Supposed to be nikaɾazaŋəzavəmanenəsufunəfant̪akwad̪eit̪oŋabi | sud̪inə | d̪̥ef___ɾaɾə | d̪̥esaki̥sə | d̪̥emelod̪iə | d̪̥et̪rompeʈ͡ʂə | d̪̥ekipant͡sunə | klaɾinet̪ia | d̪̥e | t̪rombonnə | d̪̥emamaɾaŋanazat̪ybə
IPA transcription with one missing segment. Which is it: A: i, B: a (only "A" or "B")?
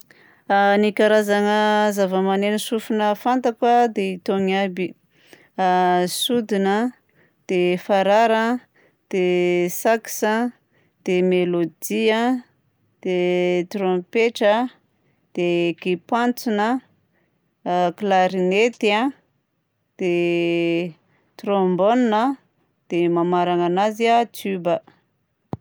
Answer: B